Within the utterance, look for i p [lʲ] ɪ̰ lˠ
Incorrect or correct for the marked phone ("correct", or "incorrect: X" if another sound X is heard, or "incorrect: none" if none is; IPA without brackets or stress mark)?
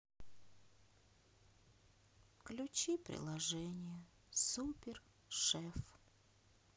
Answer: incorrect: ɾʲ